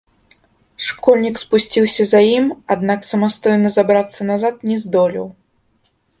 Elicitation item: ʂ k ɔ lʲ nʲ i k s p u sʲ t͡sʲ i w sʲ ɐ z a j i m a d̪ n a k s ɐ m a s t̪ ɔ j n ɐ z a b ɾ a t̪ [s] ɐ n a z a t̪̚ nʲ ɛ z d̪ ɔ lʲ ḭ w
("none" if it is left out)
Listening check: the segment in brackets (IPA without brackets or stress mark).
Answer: sː